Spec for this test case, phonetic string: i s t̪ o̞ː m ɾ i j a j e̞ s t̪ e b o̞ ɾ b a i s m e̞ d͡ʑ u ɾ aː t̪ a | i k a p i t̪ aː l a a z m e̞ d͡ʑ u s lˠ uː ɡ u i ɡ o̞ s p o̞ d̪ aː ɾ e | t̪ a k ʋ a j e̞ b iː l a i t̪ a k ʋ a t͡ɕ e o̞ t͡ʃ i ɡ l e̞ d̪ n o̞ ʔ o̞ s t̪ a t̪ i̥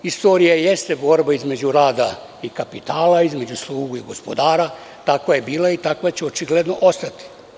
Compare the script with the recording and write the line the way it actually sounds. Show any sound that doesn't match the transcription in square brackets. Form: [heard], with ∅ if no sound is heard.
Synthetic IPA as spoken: i s t̪ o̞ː [∅] ɾ i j a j e̞ s t̪ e b o̞ ɾ b a i [z] m e̞ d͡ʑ u ɾ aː [d̪] a | i k a p i t̪ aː l a [i] z m e̞ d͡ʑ u s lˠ uː ɡ u i ɡ o̞ s p o̞ d̪ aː ɾ [a] | t̪ a k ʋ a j e̞ b iː l a i t̪ a k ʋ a t͡ɕ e o̞ t͡ʃ i ɡ l e̞ d̪ n o̞ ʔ o̞ s t̪ a t̪ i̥